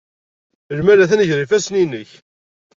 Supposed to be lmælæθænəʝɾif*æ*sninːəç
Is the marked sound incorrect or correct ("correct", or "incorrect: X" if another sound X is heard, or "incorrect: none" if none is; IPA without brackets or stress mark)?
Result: correct